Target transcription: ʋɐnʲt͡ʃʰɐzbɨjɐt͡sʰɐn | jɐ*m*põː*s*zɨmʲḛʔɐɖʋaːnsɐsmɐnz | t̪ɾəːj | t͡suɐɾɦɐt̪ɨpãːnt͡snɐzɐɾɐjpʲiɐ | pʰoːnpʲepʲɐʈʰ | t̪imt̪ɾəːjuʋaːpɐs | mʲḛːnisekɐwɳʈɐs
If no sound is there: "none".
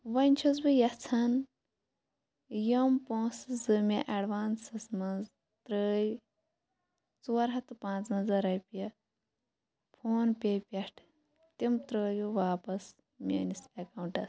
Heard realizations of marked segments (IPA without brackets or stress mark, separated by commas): m, s